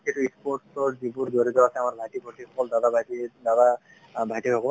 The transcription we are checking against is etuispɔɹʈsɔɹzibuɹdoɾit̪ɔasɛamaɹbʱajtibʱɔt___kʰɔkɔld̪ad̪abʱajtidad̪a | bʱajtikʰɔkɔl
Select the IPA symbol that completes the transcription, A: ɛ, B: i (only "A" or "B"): B